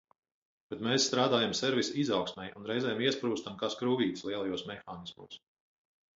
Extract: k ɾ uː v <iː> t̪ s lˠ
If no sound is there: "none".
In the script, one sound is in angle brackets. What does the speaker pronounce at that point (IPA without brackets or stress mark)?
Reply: iː